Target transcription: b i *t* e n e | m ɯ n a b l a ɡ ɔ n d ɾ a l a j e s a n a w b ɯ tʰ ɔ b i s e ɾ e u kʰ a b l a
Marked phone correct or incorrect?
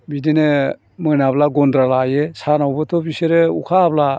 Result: incorrect